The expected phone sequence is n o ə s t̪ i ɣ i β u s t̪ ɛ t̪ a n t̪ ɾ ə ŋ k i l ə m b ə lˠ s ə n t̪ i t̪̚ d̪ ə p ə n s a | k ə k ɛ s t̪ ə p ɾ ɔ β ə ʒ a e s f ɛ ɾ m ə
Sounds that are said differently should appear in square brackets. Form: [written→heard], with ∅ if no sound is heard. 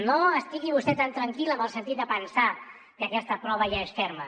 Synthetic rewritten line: n o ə s t̪ i ɣ i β u s t̪ ɛ t̪ a n t̪ ɾ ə ŋ k i l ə m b ə lˠ s ə n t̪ i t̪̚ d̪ ə p ə n s a | k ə k ɛ s t̪ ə p ɾ ɔ β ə ʒ a e s f ɛ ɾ m ə